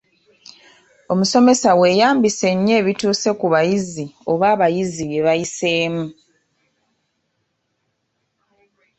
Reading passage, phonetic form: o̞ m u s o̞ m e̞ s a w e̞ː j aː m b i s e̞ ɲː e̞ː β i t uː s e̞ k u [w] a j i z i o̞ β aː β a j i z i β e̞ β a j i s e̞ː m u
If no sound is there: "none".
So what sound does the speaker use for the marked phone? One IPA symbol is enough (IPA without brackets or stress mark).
β